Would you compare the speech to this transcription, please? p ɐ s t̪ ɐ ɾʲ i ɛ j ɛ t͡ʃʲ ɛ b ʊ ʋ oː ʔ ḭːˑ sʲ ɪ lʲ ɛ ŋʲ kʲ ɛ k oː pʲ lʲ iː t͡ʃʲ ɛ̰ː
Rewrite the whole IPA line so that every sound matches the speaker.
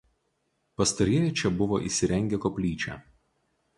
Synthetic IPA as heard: p ɐ s t̪ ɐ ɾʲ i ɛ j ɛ t͡ʃʲ ɛ b ʊ ʋ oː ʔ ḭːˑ sʲ ɪ ɾʲ ɛ ŋʲ ɡʲ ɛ k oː pʲ lʲ iː t͡ʃʲ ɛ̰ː